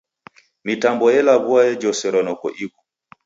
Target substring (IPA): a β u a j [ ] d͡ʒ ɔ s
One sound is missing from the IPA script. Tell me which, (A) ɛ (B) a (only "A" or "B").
A